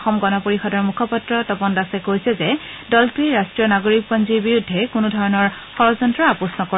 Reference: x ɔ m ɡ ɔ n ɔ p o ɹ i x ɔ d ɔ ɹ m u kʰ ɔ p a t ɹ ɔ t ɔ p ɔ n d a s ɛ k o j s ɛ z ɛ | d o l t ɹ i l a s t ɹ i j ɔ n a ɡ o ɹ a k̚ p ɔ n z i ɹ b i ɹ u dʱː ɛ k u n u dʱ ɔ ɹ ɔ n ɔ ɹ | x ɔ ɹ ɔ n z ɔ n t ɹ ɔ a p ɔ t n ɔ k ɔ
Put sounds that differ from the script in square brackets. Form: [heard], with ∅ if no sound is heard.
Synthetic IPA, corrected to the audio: x ɔ m ɡ ɔ n ɔ p o ɹ i x ɔ d ɔ ɹ m u kʰ ɔ p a t ɹ ɔ t ɔ p ɔ n d a s ɛ k o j s ɛ z ɛ | d [ɔ] l t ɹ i [ɹ] a s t ɹ i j ɔ n a ɡ o ɹ [i] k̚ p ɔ n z i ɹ b i ɹ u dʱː ɛ k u n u dʱ ɔ ɹ ɔ n ɔ ɹ | x ɔ ɹ ɔ [∅] z ɔ n t ɹ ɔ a p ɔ [s] n ɔ k ɔ